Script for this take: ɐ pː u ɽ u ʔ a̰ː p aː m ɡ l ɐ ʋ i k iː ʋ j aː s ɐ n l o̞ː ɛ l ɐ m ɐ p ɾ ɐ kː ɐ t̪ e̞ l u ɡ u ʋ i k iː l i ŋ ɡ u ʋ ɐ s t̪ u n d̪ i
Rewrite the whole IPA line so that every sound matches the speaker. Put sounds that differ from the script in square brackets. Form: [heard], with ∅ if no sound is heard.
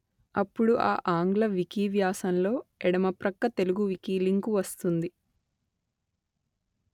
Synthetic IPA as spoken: ɐ pː u ɽ u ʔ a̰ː [ʔ] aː [ŋ] ɡ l ɐ ʋ i k iː ʋ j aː s ɐ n l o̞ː ɛ [ɽ] ɐ m ɐ p ɾ ɐ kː ɐ t̪ e̞ l u ɡ u ʋ i k iː l i ŋ [k] u ʋ ɐ s t̪ u n d̪ i

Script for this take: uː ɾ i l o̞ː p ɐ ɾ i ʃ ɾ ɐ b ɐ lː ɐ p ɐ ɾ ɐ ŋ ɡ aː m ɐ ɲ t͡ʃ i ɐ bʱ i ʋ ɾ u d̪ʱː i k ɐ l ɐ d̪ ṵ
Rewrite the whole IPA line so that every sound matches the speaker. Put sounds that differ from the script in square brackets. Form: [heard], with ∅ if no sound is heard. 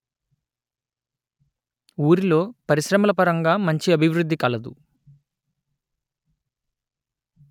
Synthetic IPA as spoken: uː ɾ i l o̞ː p ɐ ɾ i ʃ ɾ ɐ [m] ɐ [l] ɐ p ɐ ɾ ɐ ŋ ɡ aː m ɐ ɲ t͡ʃ i ɐ bʱ i ʋ ɾ u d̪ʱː i k ɐ l ɐ d̪ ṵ

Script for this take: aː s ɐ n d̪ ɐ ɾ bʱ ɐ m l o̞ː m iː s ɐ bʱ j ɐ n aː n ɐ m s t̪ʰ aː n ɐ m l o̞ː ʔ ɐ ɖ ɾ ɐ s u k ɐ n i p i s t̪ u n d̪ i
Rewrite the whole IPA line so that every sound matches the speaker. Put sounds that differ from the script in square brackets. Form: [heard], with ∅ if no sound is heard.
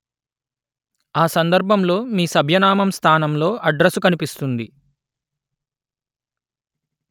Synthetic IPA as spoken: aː s ɐ n d̪ ɐ ɾ bʱ ɐ m l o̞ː m iː s ɐ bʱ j ɐ n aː [m] ɐ m s t̪ʰ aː n ɐ m l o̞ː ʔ ɐ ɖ ɾ ɐ s u k ɐ n i p i s t̪ u n d̪ i

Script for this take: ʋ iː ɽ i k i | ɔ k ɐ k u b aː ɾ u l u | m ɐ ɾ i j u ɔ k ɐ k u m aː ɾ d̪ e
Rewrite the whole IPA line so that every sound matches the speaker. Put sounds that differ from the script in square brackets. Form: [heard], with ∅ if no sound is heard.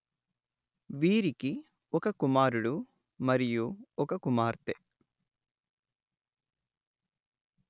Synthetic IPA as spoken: ʋ iː [ɾ] i k i | ɔ k ɐ k u [m] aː ɾ u [ɽ] u | m ɐ ɾ i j u ɔ k ɐ k u m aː ɾ [t̪] e

